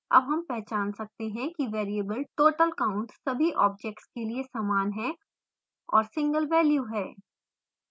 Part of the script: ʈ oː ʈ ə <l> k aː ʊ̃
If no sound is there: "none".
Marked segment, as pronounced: l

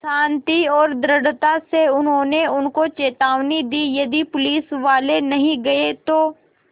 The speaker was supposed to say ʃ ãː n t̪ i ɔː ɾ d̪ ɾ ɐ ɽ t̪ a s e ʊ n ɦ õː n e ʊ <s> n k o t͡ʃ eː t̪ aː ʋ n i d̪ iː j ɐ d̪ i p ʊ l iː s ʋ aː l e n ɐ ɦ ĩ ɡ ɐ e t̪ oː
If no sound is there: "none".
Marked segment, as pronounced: none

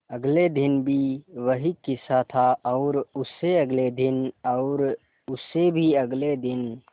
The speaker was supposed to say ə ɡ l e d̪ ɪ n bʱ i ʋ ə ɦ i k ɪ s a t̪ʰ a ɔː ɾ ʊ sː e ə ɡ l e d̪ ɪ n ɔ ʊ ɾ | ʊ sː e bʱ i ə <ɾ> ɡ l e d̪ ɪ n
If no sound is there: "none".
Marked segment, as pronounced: none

